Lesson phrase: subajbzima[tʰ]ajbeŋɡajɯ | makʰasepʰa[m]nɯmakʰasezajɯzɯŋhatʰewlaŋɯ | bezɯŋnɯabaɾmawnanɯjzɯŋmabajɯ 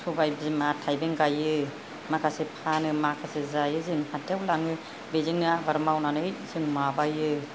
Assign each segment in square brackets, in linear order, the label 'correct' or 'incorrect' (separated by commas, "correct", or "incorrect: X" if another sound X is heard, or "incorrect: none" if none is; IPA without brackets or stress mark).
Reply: correct, incorrect: none